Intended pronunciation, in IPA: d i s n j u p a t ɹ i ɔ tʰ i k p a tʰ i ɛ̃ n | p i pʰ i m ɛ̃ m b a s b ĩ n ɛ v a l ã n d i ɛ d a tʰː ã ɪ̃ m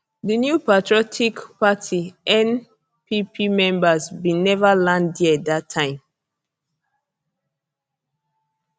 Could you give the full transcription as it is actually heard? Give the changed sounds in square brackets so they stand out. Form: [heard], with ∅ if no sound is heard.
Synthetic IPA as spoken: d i [∅] n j u p a t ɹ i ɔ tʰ i k p a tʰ i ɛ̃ n | p i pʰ i m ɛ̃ m b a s b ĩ n ɛ v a l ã n d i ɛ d a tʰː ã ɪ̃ m